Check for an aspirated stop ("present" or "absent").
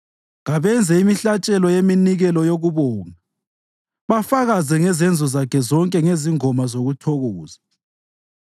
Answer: present